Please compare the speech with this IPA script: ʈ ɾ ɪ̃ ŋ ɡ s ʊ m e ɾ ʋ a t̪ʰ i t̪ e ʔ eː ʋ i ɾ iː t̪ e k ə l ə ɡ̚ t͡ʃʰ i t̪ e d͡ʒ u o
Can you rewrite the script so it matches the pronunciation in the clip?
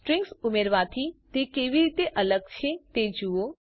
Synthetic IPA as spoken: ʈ ɾ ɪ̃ ŋ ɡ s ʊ m e ɾ ʋ a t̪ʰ i t̪ e k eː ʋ i ɾ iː t̪ e ʔ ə l ə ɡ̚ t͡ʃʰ e t̪ e d͡ʒ u o